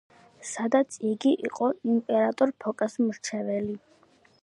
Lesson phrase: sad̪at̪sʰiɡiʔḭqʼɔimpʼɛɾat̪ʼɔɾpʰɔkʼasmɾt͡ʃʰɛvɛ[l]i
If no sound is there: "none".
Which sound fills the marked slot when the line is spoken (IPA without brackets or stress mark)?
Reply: l